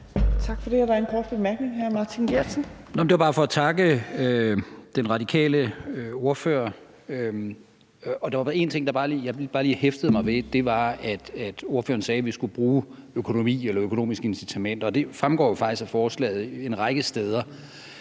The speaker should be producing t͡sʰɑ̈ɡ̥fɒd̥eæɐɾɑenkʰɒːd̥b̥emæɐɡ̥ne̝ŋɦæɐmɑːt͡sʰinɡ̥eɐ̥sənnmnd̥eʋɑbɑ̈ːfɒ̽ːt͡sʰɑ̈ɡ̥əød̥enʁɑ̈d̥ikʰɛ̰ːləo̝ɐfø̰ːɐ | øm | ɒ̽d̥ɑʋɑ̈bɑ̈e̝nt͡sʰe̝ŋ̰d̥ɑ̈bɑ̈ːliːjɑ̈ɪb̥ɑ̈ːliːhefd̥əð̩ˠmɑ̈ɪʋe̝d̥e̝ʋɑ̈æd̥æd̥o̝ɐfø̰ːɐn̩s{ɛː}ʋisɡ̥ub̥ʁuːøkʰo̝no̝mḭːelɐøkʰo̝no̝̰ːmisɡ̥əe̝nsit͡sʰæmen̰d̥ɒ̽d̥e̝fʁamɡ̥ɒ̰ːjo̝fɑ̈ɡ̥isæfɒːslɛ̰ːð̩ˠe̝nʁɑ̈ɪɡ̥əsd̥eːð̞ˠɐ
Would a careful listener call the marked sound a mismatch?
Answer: no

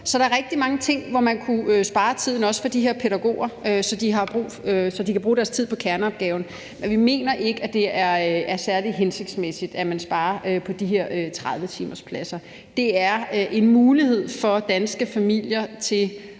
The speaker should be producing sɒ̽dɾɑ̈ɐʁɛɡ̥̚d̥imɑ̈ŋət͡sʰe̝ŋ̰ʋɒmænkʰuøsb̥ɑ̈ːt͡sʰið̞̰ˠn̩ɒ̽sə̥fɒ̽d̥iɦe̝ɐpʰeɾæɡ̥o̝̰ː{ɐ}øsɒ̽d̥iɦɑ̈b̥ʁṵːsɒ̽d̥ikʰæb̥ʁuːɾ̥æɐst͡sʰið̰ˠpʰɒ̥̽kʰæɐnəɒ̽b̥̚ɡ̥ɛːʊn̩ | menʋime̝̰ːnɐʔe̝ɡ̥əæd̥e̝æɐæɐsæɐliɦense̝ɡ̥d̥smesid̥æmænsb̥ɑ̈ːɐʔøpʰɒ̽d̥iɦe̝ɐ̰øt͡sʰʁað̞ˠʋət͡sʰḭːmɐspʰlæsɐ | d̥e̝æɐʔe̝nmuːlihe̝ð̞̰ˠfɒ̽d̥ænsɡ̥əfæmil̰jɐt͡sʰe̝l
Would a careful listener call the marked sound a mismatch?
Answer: no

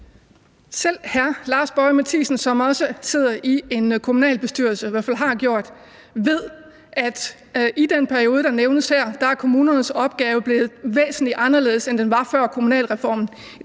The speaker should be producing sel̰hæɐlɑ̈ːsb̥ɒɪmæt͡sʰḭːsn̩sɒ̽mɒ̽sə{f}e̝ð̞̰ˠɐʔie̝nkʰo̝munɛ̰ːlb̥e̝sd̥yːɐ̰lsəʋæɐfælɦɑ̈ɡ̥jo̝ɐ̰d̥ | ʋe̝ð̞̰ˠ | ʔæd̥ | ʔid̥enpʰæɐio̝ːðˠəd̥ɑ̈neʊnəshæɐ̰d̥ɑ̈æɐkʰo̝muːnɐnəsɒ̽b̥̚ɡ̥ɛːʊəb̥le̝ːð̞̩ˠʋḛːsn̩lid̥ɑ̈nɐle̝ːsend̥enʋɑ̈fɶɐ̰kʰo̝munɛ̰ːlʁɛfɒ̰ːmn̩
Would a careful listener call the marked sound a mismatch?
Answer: yes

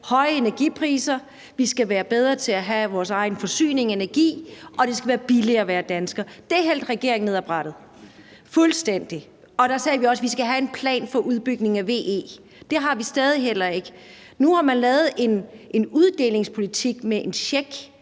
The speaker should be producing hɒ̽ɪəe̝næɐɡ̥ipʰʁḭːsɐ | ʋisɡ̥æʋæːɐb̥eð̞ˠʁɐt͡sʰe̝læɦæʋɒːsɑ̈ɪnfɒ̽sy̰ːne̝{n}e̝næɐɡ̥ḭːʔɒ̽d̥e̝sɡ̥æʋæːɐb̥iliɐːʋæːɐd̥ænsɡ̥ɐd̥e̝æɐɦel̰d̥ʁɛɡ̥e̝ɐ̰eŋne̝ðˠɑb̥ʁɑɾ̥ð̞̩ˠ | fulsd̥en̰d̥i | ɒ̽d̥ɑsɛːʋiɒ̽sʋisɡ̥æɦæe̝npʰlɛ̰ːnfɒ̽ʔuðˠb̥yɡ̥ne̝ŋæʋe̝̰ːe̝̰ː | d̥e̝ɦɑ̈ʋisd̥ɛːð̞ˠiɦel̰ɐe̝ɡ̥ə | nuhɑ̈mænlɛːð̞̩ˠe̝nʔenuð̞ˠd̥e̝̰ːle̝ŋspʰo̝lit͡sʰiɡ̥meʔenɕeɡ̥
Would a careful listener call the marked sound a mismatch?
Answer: yes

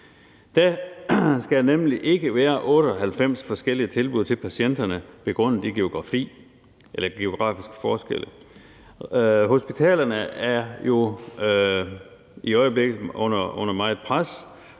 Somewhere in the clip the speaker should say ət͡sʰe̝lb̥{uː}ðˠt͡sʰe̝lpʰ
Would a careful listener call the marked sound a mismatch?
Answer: yes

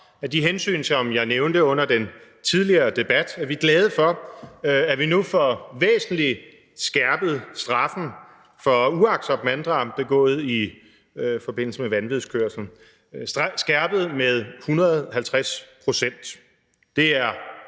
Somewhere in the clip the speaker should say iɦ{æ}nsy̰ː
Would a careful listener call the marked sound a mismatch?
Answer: yes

